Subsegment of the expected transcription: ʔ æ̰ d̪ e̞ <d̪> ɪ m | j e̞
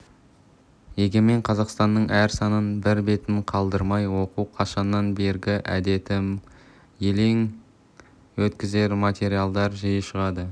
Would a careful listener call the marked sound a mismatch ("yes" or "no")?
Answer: yes